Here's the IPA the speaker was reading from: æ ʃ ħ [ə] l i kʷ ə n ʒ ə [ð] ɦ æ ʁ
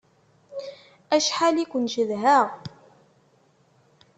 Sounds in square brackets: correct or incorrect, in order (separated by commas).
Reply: incorrect, correct